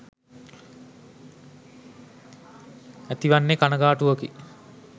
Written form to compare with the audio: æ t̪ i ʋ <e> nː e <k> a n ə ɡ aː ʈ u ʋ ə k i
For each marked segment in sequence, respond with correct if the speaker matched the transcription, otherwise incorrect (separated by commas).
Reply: incorrect, correct